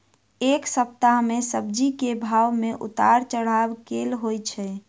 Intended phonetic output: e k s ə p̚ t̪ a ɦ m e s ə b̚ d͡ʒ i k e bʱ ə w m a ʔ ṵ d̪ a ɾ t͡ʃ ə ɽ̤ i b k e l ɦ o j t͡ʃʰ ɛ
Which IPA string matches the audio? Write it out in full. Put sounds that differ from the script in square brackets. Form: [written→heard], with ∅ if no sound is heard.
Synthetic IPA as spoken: e k s ə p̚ t̪ a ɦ m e s ə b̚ d͡ʒ i k e bʱ [ə→a] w m [a→e] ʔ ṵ [d̪→t̪] a ɾ t͡ʃ ə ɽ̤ [i→a] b k e l ɦ o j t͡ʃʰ ɛ